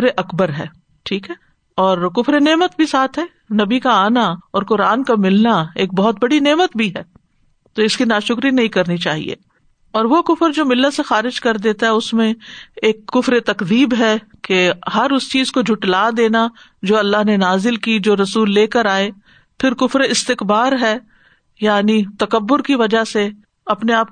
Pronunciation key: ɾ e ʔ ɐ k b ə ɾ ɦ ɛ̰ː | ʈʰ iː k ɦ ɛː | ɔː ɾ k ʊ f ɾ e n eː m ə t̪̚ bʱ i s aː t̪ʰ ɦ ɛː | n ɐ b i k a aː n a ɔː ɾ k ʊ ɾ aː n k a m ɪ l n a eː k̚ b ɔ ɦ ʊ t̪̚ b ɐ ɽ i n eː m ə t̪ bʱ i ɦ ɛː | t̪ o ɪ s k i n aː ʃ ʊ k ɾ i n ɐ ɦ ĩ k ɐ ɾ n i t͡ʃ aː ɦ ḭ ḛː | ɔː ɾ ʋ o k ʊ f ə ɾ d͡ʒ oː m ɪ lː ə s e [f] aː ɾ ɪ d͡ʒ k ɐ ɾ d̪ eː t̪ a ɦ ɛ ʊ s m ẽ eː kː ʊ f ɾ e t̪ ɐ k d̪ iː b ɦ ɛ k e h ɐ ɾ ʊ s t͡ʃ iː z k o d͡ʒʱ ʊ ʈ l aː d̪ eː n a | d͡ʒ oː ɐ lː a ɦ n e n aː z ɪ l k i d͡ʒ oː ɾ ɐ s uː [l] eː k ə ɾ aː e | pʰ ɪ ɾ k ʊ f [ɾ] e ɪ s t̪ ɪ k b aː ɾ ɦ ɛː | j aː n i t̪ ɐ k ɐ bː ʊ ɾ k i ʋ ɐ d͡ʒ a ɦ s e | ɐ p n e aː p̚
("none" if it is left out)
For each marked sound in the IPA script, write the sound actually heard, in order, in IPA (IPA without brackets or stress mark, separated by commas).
x, lː, ɾ